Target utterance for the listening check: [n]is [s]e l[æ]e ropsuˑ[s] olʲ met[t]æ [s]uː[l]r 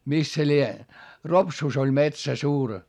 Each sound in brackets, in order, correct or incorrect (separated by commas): incorrect, correct, incorrect, correct, incorrect, correct, incorrect